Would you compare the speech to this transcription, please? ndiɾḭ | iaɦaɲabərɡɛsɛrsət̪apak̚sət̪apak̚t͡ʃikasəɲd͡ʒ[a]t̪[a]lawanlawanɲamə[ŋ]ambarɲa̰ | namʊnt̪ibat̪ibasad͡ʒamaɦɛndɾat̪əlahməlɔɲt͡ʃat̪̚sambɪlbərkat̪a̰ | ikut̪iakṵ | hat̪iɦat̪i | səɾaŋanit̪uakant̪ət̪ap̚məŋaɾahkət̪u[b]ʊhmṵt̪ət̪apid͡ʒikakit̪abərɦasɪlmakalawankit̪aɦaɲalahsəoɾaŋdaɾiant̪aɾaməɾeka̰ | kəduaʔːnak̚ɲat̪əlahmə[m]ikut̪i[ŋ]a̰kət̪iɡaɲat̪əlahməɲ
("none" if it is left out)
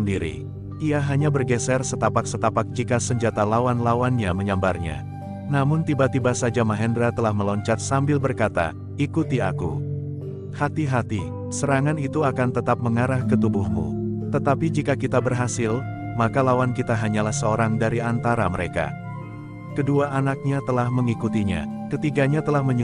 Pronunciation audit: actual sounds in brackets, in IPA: a, a, ɲ, b, ŋ, ɲ

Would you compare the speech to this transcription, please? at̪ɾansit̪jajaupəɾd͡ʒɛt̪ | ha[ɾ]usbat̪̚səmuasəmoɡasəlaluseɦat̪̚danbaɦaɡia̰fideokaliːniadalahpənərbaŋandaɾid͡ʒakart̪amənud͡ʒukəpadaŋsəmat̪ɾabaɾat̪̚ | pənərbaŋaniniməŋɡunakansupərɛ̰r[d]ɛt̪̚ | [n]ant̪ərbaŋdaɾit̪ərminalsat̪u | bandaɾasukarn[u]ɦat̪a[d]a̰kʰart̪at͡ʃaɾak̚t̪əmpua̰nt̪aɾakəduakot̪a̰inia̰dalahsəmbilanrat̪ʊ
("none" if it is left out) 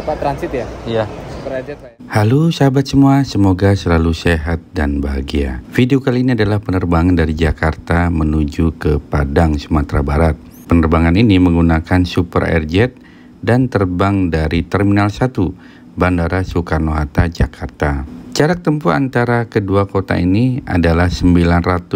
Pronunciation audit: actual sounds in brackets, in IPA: l, d͡ʒ, d, o, d͡ʒ

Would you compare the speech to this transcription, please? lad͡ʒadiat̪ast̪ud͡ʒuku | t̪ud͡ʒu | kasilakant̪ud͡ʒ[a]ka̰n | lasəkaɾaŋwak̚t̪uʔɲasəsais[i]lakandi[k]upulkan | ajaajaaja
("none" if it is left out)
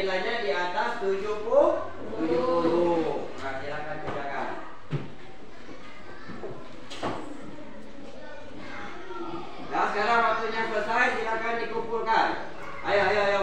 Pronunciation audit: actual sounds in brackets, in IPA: a, i, k

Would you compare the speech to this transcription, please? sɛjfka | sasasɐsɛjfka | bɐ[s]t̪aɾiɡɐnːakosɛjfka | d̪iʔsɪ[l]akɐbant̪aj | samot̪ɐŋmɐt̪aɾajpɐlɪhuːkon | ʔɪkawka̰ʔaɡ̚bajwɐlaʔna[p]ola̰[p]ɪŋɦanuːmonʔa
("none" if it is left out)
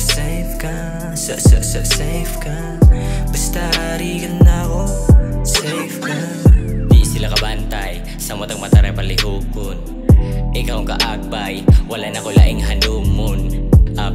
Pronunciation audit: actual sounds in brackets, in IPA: s, l, k, ʔ

